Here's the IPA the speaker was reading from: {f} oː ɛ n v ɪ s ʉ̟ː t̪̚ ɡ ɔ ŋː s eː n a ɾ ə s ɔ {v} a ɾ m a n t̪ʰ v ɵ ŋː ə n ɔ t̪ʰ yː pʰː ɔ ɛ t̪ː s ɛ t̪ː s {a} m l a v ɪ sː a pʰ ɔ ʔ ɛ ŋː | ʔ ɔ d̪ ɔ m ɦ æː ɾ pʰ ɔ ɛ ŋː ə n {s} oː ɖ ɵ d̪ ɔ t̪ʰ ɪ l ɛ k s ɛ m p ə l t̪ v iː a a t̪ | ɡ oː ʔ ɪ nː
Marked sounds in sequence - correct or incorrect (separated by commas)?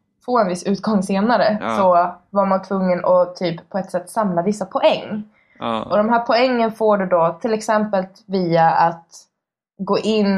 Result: correct, correct, correct, incorrect